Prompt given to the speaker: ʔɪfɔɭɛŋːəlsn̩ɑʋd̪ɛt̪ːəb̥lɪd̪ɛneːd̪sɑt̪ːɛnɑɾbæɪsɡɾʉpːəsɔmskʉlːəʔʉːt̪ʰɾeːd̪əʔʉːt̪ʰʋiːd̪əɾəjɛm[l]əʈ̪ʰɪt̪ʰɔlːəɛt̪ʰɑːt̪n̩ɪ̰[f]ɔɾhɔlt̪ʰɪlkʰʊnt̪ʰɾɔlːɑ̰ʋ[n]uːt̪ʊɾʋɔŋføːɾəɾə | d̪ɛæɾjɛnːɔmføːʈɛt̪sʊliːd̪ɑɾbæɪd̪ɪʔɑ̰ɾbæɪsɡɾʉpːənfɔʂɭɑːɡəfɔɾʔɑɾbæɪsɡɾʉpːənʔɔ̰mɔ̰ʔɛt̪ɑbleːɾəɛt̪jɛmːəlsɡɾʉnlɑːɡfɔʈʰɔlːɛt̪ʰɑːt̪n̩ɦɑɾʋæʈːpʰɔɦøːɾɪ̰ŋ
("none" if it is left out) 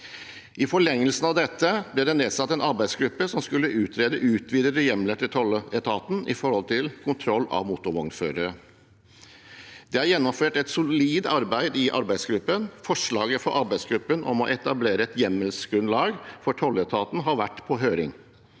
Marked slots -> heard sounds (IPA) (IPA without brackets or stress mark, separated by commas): l, f, m